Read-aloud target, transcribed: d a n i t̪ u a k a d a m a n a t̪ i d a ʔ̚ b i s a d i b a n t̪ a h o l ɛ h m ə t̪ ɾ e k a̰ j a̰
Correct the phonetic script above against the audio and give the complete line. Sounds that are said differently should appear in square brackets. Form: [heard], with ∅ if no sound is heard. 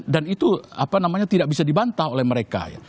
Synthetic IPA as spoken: d a n i t̪ u a [p] a [n] a m a [ɲ] a t̪ i d a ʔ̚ b i s a d i b a n t̪ a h o l ɛ h m ə [∅] ɾ e k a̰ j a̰